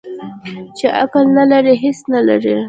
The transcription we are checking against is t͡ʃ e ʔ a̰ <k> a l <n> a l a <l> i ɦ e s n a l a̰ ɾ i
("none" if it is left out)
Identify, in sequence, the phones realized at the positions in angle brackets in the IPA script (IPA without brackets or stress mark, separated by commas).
k, n, ɾ